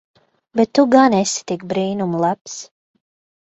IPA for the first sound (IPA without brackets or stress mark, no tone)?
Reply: b